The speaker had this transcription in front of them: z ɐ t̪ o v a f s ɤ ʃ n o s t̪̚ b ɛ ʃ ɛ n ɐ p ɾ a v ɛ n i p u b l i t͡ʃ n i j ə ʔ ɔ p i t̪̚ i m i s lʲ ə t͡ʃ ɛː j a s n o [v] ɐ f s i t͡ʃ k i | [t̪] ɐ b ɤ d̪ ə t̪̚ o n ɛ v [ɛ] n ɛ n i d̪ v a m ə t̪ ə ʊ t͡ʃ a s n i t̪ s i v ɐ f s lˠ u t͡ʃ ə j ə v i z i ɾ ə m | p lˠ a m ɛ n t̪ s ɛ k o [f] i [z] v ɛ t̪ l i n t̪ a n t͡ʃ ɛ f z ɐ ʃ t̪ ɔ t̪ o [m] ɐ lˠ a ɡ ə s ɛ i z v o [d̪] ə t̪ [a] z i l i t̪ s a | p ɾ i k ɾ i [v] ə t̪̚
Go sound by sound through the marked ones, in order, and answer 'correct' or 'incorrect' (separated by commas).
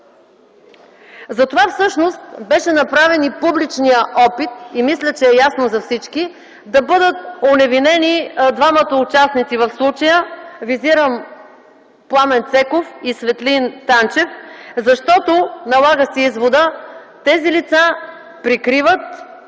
incorrect, incorrect, incorrect, correct, incorrect, incorrect, correct, incorrect, correct